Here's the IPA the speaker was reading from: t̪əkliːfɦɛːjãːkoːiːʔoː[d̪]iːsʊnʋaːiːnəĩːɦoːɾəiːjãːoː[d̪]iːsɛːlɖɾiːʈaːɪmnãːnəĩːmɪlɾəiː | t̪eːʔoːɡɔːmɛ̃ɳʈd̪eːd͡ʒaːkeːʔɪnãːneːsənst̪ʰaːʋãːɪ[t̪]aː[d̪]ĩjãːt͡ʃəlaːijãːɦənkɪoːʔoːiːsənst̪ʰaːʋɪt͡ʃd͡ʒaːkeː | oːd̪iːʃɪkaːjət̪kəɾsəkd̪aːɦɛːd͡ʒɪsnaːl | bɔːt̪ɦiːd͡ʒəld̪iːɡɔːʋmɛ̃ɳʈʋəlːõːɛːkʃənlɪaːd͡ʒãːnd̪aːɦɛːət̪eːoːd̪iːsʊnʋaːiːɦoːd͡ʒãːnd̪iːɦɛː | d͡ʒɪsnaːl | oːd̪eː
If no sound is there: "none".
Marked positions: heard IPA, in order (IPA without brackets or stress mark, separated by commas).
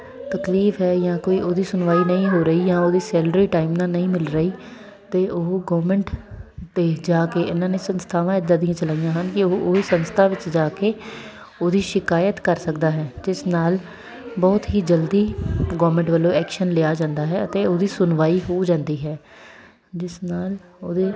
d̪, d̪, d̪, d̪